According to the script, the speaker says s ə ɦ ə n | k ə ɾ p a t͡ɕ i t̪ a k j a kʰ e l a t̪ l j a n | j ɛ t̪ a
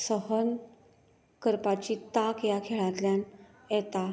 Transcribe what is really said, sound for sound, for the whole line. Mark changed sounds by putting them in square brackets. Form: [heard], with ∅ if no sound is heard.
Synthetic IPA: s ə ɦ ə n | k ə ɾ p a t͡ɕ i t̪ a k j a kʰ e [ɭ] a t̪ l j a n | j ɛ t̪ a